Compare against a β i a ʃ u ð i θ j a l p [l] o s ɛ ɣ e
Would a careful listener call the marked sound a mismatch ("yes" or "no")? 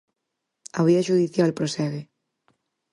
yes